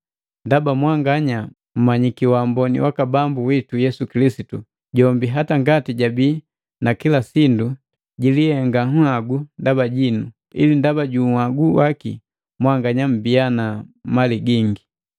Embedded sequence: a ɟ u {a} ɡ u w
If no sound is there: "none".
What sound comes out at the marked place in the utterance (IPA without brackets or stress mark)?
a